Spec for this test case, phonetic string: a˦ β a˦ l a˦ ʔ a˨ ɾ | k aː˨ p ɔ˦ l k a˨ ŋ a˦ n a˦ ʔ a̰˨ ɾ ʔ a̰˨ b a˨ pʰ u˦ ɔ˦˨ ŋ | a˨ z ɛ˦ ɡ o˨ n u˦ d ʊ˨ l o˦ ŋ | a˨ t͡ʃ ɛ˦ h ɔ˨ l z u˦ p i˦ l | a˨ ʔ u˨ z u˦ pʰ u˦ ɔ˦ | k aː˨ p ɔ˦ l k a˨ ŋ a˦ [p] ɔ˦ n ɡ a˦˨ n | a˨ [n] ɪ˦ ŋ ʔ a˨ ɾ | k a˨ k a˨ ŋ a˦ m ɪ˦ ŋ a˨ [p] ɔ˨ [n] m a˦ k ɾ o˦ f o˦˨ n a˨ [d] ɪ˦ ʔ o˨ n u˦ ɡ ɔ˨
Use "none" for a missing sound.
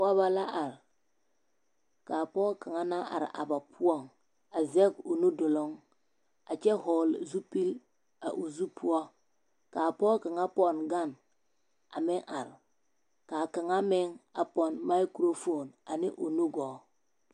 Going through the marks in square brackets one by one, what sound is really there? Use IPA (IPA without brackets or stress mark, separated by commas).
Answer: p, m, p, n, n